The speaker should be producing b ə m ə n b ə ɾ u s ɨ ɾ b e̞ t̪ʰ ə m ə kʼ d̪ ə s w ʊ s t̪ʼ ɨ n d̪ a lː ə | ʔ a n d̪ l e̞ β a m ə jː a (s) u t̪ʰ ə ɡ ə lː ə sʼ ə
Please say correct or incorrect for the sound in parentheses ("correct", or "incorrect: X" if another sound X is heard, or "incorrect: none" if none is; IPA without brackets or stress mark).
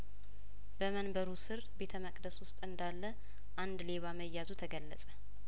incorrect: z